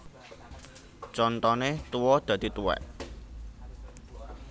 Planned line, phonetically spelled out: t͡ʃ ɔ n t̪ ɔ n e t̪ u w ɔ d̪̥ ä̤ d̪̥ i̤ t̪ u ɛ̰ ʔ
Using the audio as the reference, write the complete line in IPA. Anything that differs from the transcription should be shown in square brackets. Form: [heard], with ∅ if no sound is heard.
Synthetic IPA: t͡ʃ ɔ n t̪ ɔ n e t̪ u w ɔ d̪̥ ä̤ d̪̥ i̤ t̪ u ɛ̰ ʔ